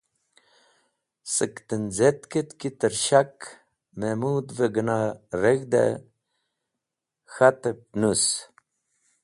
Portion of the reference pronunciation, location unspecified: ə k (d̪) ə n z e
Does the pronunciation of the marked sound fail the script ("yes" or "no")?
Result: yes